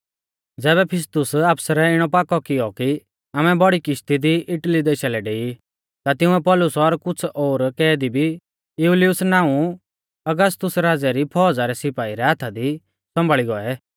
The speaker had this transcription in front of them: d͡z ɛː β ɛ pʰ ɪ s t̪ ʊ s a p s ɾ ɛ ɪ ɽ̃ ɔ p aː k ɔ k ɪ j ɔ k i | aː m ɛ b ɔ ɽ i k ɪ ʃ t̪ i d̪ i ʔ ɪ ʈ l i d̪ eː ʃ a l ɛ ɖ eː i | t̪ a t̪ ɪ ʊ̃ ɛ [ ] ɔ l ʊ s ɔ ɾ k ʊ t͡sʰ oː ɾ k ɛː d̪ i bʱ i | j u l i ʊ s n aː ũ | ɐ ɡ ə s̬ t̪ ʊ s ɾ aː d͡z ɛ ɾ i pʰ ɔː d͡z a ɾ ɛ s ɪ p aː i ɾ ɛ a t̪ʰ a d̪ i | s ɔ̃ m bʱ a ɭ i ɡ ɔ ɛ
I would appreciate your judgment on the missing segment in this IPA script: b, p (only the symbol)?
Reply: p